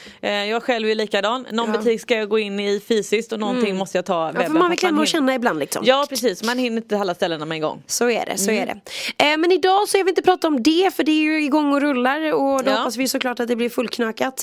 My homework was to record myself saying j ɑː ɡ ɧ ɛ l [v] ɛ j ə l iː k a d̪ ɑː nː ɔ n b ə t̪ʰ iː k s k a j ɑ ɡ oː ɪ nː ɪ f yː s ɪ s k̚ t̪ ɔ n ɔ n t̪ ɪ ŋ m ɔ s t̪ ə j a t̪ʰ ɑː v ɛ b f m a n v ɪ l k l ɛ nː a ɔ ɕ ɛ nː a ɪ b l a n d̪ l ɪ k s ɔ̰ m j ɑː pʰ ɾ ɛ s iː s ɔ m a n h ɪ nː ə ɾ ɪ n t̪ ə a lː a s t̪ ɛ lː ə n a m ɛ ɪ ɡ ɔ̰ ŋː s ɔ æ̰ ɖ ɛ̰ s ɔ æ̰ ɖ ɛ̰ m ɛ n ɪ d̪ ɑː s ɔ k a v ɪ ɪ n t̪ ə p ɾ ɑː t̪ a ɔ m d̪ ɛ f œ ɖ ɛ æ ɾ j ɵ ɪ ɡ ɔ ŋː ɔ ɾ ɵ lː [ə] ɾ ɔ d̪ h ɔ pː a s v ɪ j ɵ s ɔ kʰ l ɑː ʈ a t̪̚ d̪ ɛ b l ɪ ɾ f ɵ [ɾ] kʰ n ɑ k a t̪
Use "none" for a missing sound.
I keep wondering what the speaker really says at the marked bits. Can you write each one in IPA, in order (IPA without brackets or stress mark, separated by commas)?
v, a, l